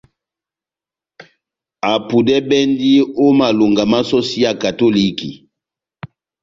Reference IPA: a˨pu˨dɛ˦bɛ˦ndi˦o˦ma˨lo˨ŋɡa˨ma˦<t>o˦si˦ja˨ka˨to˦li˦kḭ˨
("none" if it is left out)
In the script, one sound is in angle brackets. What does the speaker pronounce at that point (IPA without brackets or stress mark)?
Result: s